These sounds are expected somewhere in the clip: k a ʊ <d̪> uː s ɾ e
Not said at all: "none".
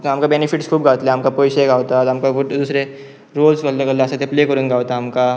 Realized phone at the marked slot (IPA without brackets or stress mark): d̪